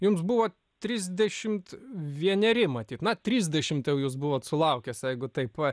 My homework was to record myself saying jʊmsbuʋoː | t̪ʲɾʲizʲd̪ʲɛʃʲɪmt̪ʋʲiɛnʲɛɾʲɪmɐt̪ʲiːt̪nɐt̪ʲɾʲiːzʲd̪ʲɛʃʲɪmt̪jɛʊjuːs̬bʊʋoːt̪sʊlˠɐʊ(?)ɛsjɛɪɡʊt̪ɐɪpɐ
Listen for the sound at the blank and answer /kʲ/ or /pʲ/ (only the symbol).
kʲ